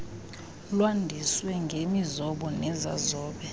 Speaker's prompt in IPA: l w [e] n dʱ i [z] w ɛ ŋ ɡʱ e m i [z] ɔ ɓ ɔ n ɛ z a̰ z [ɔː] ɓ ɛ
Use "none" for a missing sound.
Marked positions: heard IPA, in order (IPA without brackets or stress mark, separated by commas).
a, s, z, ɔː